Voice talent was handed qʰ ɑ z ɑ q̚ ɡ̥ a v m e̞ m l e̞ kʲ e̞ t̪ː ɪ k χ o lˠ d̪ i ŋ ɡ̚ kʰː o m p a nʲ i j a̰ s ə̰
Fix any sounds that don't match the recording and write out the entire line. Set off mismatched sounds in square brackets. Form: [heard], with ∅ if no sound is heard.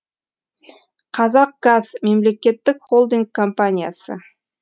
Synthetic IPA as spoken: qʰ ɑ z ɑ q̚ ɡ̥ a [z] m e̞ m l e̞ kʲ e̞ t̪ː ɪ k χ o lˠ d̪ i ŋ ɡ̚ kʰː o m p a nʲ i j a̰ s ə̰